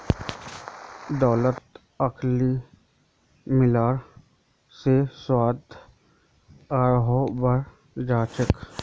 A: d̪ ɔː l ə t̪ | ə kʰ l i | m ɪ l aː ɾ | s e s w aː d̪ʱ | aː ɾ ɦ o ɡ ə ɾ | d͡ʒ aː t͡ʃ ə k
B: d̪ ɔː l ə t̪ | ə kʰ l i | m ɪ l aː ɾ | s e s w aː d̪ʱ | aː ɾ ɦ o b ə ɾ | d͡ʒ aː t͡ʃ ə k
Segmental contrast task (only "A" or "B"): B